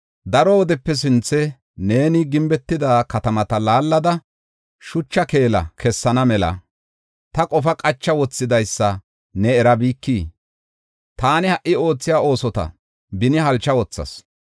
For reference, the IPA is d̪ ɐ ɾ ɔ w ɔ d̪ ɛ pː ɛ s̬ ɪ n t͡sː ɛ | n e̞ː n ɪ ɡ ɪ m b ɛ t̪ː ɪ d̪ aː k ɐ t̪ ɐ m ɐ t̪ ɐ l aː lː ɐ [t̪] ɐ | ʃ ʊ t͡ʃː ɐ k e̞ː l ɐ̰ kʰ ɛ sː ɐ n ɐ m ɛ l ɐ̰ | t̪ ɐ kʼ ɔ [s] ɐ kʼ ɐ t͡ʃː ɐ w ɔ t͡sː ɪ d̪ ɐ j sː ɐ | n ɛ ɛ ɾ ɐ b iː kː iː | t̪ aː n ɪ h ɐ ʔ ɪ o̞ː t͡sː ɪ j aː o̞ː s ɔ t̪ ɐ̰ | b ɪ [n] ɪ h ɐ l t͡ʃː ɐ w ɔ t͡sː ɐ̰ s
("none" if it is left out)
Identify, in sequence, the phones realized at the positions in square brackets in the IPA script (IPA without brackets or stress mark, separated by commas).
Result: d̪, f, n